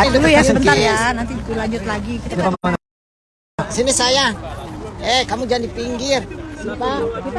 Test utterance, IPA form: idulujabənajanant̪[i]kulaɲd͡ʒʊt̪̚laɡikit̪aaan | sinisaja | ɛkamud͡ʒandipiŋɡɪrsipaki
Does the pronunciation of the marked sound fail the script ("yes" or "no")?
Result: no